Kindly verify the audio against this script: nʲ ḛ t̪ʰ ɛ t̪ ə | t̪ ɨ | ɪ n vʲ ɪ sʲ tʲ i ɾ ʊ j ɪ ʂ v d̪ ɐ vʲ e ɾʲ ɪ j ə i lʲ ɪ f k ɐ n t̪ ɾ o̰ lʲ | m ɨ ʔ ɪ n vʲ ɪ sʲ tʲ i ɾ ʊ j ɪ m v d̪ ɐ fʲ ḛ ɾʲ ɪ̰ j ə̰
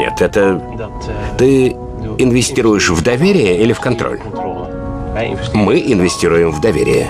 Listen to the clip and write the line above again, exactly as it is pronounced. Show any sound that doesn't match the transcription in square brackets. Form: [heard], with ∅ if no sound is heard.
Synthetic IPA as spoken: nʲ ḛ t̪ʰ ɛ t̪ ə | t̪ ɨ | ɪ n vʲ ɪ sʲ tʲ i ɾ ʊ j ɪ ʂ v d̪ ɐ vʲ e ɾʲ ɪ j ə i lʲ ɪ f k ɐ n t̪ ɾ o̰ lʲ | m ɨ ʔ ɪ n vʲ ɪ sʲ tʲ i ɾ ʊ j ɪ m v d̪ ɐ [vʲ] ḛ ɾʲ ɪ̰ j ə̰